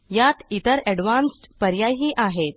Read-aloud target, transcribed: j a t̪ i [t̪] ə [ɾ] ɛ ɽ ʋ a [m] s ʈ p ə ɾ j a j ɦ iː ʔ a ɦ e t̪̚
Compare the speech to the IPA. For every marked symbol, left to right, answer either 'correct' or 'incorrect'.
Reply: correct, correct, incorrect: n

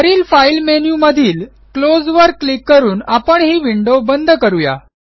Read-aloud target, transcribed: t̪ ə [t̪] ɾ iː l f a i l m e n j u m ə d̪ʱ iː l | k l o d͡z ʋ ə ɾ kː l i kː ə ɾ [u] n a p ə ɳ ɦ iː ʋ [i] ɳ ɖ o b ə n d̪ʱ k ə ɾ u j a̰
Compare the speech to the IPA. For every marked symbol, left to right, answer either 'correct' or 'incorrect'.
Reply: incorrect: none, incorrect: uː, correct

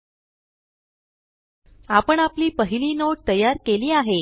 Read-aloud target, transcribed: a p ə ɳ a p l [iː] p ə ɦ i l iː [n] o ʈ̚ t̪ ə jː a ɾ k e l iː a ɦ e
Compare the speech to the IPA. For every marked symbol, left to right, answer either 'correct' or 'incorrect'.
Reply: correct, correct

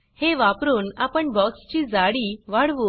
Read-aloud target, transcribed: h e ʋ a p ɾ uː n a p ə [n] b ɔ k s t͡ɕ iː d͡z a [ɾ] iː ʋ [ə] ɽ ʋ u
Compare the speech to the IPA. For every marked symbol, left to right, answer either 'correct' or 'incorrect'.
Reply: incorrect: ɳ, incorrect: ɽ, incorrect: a

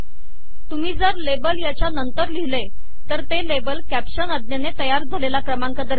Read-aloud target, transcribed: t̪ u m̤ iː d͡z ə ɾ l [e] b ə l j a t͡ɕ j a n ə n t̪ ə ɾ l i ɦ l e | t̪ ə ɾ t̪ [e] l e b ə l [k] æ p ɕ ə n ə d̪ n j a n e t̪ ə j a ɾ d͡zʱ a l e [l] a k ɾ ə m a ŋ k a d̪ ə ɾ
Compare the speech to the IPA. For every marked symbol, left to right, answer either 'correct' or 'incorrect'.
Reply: correct, correct, correct, correct

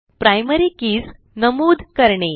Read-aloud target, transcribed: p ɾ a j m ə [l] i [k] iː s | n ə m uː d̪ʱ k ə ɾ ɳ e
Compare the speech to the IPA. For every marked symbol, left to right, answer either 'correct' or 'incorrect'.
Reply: incorrect: ɾ, correct

